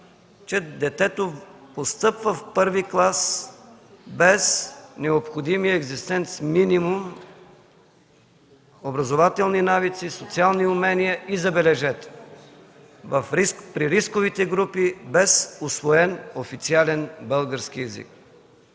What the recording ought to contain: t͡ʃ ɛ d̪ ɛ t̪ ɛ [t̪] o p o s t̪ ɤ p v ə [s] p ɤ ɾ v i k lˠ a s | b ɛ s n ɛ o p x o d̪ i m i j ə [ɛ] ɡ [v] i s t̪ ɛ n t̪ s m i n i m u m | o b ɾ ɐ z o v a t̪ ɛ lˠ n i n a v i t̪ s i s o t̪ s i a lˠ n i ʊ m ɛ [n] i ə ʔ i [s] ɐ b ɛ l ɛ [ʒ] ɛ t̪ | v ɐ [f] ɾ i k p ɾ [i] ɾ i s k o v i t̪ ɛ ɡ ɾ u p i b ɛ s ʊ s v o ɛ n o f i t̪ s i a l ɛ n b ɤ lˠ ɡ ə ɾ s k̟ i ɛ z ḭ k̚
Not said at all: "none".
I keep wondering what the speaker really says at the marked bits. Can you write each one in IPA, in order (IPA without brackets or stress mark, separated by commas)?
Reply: t̪, f, ɛ, z, n, z, ʒ, f, i